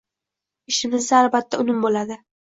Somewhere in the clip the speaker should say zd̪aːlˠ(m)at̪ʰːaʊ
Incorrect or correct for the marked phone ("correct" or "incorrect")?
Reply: incorrect